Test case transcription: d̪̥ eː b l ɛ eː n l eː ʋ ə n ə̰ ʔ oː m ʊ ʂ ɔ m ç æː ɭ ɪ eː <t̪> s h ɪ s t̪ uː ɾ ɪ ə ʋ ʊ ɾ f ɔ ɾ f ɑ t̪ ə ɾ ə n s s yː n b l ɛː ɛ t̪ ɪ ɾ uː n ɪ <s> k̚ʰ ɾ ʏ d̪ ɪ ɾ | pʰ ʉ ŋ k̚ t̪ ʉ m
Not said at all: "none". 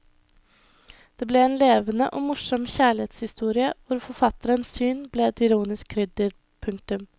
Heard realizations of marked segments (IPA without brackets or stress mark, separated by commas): t̪, s